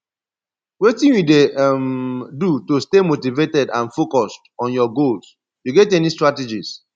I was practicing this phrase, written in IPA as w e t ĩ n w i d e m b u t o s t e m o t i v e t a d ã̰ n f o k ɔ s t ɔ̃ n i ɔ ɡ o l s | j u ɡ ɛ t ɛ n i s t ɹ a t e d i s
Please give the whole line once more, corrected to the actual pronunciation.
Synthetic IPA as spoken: w e t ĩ n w i d e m d u t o s t e m o t i v e t ɛ d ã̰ n f o k ɔ s t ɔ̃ n j ɔ ɡ o l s | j u ɡ ɛ t ɛ n i s t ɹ a t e d͡ʒ i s